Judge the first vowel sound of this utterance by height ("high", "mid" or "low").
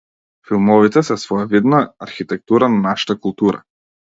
high